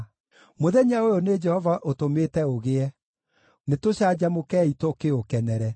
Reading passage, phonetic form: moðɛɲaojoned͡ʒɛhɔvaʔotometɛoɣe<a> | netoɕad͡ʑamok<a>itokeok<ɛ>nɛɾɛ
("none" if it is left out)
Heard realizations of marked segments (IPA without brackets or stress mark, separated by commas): ɛ, ɛ, ɛ